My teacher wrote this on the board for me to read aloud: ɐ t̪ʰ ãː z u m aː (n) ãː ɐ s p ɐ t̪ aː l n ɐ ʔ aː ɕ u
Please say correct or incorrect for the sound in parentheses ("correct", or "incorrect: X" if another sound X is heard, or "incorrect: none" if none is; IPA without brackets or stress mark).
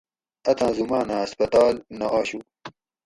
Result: correct